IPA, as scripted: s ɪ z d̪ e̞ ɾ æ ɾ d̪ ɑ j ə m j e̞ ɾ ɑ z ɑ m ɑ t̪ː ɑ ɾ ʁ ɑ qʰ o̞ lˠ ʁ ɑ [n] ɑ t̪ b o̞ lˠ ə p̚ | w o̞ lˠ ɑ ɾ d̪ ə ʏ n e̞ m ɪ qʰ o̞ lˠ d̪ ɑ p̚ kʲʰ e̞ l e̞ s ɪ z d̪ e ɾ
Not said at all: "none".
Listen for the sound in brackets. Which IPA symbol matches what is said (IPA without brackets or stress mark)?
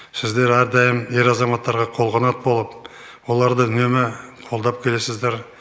n